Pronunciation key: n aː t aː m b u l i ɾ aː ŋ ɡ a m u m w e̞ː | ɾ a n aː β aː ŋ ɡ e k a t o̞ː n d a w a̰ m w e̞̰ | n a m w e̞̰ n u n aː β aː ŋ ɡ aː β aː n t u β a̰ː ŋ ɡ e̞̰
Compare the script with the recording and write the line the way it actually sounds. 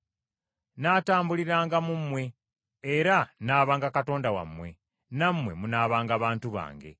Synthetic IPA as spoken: n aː t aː m b u l i ɾ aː ŋ ɡ a m u m w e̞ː | ɾ a n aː β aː ŋ ɡ a k a t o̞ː n d a w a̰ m w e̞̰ | n a m w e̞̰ m u n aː β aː ŋ ɡ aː β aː n t u β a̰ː ŋ ɡ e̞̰

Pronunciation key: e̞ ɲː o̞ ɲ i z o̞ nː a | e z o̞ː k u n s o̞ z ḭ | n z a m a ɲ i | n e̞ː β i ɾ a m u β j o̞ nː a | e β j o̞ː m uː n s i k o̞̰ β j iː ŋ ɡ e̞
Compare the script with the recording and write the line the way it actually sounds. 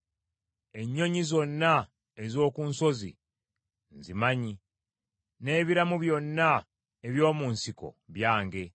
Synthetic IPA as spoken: e̞ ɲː o̞ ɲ i z o̞ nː a | e z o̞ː k u n s o̞ z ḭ | n z i m a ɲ i | n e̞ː β i ɾ a m u β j o̞ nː a | e β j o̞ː m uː n s i k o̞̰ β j aː ŋ ɡ e̞

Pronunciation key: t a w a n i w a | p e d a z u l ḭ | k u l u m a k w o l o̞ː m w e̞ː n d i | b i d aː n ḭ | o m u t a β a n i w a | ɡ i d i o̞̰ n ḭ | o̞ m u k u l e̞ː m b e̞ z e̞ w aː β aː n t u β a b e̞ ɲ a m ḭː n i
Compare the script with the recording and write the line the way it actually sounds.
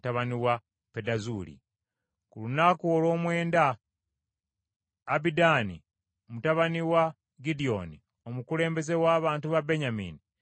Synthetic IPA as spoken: t a β a n i w a | p e d a z u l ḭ | k u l u n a k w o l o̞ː m w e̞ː n d a | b i d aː n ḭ | o m u t a β a n i w a | ɡ i d i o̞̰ n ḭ | o̞ m u k u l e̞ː m b e̞ z e̞ w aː β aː n t u β a b e̞ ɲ a m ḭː n i

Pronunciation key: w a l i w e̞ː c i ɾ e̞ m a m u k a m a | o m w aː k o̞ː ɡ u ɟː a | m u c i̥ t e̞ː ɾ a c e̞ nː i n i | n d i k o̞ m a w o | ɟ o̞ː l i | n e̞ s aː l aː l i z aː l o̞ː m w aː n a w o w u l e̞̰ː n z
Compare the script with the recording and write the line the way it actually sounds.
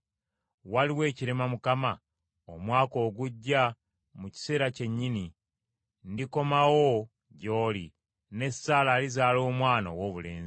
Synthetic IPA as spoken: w a l i w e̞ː c i ɾ e̞ m a m u k a m a | o m w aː k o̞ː ɡ u ɟː a | m u c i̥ s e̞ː ɾ a c e̞ ɲː i n i | n d i k o̞ m a w o | ɟ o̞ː l i | n e̞ s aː l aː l i z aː l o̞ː m w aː n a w o β u l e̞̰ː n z

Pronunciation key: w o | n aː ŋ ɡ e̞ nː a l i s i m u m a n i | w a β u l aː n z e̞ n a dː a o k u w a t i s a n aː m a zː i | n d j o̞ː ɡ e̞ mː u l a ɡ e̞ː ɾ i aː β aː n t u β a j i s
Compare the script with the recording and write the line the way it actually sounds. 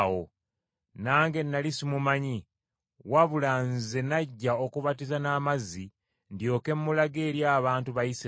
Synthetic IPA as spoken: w o | n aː ŋ ɡ e̞ nː a l i s i m u m a ɲ i | w a β u l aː n z e̞ n a ɟː a o k u β a t i z a n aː m a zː i | n d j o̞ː k e̞ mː u l a ɡ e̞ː ɾ j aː β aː n t u β a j i s

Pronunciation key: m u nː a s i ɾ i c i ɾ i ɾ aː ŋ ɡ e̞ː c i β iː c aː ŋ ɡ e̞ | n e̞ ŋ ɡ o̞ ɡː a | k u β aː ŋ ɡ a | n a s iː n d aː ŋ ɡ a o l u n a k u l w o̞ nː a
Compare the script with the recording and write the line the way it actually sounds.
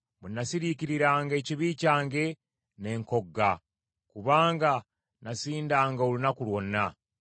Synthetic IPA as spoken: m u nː a s i ɾ i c i ɾ i ɾ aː ŋ ɡ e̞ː c i β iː c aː ŋ ɡ e̞ | n e̞ ŋ k o̞ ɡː a | k u β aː ŋ ɡ a | n a s iː n d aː ŋ ɡ a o l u n a k u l w o̞ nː a

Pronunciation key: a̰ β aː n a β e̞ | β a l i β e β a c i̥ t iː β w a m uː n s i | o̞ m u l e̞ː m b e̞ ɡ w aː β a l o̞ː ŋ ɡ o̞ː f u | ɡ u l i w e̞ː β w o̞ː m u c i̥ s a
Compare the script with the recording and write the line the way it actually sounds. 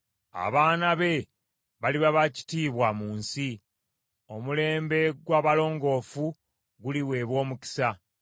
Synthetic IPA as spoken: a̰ β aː n a β e̞ | β a l i β a β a c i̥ t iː β w a m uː n s i | o̞ m u l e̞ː m b e̞ ɡ w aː β a l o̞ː ŋ ɡ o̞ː f u | ɡ u l i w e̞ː β w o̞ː m u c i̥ s a

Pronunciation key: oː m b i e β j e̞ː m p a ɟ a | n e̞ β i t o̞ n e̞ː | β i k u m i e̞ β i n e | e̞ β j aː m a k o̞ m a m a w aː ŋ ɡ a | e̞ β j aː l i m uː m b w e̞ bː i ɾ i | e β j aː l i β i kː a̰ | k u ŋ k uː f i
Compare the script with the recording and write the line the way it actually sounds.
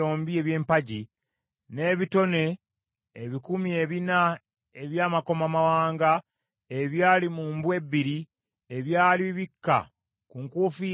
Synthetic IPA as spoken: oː m b i e β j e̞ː m p a ɟ i | n e̞ β i t o̞ n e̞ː | β i k u m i e̞ β i n a | e̞ β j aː m a k o̞ m a m a w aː ŋ ɡ a | e̞ β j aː l i m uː m b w e̞ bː i ɾ i | e β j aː l i β i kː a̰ | k u ŋ k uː f i

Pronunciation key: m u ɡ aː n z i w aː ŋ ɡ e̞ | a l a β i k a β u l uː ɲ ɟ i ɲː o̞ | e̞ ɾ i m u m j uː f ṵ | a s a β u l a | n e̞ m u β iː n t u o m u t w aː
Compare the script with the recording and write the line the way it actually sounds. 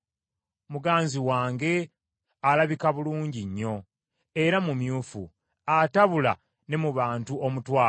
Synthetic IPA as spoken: m u ɡ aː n z i w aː ŋ ɡ e̞ | a l a β i k a β u l uː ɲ ɟ i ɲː o̞ | e̞ ɾ a m u m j uː f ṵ | a t a β u l a | n e̞ m u β aː n t u o m u t w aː

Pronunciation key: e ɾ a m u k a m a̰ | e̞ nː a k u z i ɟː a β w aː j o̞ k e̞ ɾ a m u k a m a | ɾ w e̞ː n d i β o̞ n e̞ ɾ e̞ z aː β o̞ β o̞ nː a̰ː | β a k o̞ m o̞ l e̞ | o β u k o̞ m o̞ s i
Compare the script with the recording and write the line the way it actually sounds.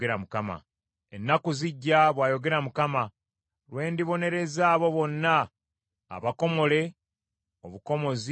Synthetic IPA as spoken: e ɾ a m u k a m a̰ | e̞ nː a k u z i ɟː a β w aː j o̞ ɡ e̞ ɾ a m u k a m a | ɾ w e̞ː n d i β o̞ n e̞ ɾ e̞ z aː β o̞ β o̞ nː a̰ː | β a k o̞ m o̞ l e̞ | o β u k o̞ m o̞ z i

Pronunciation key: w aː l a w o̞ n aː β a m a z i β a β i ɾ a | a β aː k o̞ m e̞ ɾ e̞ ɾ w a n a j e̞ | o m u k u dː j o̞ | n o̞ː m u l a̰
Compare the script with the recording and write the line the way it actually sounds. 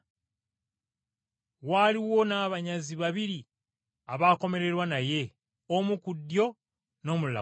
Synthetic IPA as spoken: w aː l i w o̞ n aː β a ɲ a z i β a β i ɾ i | a β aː k o̞ m e̞ ɾ e̞ ɾ w a n a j e̞ | o m u k u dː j o̞ | n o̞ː m u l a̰

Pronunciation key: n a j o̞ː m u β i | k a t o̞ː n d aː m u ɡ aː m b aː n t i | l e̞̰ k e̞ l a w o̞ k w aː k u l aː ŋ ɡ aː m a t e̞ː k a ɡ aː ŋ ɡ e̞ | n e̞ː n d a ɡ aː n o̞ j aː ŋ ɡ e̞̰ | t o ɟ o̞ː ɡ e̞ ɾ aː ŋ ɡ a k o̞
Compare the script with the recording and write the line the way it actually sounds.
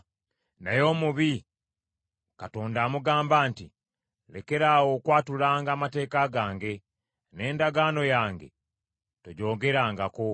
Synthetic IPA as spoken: n a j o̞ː m u β i | k a t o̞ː n d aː m u ɡ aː m b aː n t i | l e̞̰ k e̞ ɾ a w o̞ k w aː t u l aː ŋ ɡ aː m a t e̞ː k a ɡ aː ŋ ɡ e̞ | n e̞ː n d a ɡ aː n o̞ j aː ŋ ɡ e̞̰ | t o ɟ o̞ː ɡ e̞ ɾ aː ŋ ɡ a k o̞

